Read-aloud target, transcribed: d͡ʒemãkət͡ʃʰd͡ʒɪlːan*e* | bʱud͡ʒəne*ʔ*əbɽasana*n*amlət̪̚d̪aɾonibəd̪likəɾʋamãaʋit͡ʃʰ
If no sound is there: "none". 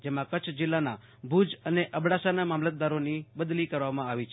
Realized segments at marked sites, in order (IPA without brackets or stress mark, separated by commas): a, ʔ, m